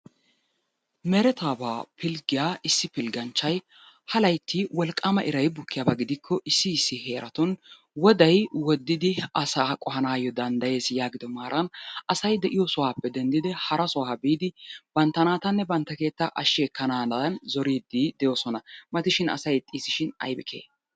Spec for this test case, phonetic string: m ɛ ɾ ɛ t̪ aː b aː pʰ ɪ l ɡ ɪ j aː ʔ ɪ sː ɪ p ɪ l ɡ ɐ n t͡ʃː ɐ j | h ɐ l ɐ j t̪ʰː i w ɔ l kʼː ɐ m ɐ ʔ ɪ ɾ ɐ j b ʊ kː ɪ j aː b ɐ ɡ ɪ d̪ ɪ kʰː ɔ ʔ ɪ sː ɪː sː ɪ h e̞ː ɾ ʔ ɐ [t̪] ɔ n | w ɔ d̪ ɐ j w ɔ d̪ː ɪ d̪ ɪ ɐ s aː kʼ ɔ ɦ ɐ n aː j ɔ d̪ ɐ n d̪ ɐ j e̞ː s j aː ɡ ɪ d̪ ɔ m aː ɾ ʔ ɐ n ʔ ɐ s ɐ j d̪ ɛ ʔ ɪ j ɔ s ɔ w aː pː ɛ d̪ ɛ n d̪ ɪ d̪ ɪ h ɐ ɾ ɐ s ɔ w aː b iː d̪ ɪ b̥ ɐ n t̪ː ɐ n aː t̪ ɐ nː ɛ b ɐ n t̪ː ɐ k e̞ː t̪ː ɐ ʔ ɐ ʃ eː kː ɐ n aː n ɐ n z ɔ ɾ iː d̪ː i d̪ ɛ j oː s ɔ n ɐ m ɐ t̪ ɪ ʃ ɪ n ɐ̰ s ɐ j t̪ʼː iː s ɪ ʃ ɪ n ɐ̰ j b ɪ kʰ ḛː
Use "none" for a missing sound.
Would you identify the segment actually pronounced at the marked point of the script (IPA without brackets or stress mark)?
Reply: t̪